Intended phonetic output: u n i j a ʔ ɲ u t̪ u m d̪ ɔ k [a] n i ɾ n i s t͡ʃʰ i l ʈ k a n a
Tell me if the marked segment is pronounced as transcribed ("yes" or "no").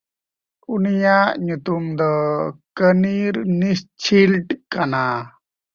no